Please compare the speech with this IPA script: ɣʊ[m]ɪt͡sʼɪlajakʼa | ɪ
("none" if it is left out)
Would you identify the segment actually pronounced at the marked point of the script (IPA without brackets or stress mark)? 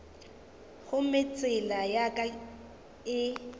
m